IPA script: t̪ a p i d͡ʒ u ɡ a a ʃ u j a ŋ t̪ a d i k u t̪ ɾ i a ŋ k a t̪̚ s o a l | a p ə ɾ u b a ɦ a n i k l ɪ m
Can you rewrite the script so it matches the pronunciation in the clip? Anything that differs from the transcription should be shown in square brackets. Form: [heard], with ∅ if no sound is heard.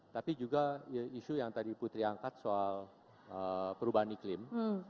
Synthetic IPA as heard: t̪ a p i d͡ʒ u ɡ a [i] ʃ u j a ŋ t̪ a d i [p] u t̪ ɾ i a ŋ k a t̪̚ s o a l | [ə] p ə ɾ u b a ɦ a n i k l ɪ m